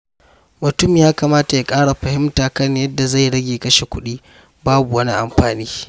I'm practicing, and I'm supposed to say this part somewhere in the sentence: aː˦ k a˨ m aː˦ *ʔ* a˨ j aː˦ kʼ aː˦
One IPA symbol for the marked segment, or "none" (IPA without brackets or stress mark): t